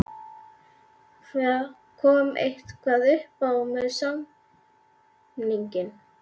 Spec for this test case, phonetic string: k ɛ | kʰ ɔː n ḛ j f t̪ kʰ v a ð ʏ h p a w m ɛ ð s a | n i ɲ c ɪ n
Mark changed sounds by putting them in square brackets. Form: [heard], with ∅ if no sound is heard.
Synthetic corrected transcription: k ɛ | kʰ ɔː [m] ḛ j [h] t̪ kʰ v a ð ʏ h p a w m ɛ ð s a | n i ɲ c ɪ n

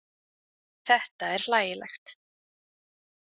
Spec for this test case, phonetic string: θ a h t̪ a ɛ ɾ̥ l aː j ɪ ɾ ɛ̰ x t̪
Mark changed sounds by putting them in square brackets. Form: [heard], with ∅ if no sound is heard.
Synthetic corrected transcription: θ [ɛ] h t̪ a ɛ ɾ̥ l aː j ɪ [l] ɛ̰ x t̪

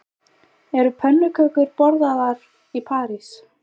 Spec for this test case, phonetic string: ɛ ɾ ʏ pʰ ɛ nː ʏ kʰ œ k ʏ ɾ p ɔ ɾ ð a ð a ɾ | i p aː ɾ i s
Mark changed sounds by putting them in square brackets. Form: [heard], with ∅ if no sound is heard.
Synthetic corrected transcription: ɛ ɾ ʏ pʰ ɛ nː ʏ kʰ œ k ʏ ɾ p ɔ ɾ ð a ð a ɾ | i [pʰ] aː ɾ i s

